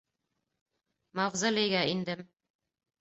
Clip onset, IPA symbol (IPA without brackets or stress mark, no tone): m